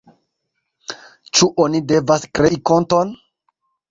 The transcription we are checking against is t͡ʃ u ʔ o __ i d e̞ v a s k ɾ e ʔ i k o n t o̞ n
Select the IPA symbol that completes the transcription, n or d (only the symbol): n